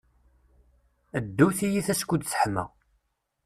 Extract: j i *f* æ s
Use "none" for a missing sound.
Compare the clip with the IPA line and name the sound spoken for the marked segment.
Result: θ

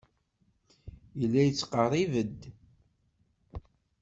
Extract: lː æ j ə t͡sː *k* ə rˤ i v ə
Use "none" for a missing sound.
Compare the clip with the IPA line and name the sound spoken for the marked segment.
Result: q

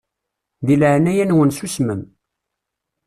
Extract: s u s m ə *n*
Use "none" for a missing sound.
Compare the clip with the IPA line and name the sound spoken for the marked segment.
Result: m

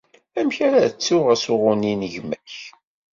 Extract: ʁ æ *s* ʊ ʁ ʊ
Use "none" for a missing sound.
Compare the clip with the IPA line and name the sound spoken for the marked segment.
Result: s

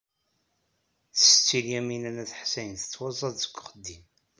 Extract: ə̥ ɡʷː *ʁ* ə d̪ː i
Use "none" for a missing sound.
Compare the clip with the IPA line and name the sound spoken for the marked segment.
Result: χ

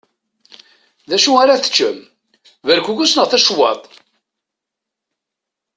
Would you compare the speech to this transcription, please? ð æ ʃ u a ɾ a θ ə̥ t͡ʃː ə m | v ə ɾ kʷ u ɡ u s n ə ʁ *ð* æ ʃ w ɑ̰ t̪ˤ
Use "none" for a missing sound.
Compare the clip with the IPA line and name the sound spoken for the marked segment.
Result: θ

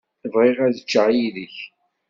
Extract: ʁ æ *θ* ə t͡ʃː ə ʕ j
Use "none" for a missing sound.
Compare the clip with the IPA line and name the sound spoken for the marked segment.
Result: ð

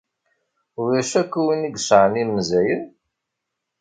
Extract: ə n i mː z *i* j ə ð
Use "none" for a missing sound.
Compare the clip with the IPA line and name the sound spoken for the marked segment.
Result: æ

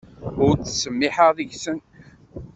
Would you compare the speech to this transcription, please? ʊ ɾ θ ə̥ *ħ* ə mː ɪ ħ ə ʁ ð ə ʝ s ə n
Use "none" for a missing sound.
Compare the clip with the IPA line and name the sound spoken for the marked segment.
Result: s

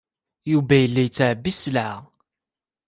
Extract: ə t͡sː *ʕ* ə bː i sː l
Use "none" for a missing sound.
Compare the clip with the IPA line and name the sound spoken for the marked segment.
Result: ʕ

